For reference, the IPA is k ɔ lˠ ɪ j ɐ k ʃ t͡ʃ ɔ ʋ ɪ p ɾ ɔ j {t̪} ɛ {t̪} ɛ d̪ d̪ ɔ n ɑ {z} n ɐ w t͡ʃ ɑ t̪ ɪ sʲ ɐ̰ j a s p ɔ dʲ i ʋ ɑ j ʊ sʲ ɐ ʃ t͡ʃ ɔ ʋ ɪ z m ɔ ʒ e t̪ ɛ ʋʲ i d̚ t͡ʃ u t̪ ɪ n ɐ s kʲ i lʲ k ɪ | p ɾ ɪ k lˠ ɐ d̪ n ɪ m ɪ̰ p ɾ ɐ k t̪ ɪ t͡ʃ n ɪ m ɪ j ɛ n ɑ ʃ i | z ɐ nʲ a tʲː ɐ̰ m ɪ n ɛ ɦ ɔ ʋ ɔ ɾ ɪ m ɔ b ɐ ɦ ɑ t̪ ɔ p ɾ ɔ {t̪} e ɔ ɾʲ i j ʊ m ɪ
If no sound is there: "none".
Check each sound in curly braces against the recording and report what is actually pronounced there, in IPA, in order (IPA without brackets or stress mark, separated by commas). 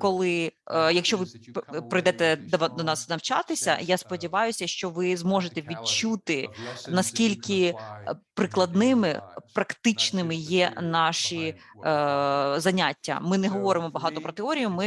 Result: d̪, t̪, s, t̪